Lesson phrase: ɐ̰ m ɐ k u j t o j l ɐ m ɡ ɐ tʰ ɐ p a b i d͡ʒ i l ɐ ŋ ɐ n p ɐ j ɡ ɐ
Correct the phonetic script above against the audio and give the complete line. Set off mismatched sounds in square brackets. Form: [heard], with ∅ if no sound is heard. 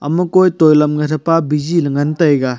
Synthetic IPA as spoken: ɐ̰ m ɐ k [o] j t o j l ɐ m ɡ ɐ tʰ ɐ p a b i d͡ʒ i l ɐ ŋ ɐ n [t] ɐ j ɡ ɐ